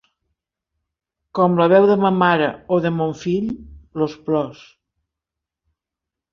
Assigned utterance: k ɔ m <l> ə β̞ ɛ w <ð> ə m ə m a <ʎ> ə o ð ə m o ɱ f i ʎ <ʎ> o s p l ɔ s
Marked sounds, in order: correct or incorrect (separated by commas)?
correct, correct, incorrect, incorrect